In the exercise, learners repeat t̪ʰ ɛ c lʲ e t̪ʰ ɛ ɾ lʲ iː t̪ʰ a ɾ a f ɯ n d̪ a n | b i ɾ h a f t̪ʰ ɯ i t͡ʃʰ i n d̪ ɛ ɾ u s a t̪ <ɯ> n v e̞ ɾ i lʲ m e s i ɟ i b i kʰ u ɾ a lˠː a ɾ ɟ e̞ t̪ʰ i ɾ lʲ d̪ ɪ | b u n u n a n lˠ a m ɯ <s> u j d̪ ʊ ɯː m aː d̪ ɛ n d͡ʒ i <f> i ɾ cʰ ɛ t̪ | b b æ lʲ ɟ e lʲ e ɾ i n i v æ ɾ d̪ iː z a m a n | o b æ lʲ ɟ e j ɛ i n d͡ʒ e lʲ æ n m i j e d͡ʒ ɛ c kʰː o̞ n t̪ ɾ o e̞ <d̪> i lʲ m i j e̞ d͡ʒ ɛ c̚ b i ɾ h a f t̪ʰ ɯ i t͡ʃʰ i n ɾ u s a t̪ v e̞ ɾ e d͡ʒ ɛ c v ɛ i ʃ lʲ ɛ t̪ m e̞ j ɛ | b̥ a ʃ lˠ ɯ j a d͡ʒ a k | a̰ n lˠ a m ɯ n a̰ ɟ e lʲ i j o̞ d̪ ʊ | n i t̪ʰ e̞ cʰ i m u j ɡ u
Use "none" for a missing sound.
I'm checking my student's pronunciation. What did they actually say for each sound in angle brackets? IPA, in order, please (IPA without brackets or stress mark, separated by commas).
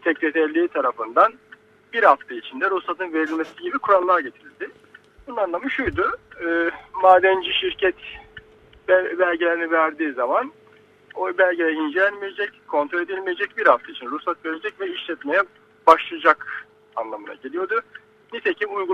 ɯ, ʃ, ʃ, d̪